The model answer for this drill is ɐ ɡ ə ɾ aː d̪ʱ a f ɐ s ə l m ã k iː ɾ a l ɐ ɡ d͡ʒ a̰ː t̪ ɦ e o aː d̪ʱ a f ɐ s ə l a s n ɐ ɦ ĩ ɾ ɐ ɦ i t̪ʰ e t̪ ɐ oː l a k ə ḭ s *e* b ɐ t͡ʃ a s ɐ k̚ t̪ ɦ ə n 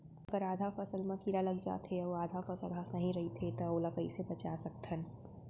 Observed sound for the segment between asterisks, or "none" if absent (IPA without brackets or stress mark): e